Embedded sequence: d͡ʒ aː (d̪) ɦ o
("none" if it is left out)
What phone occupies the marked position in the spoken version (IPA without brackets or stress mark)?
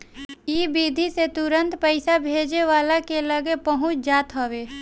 t̪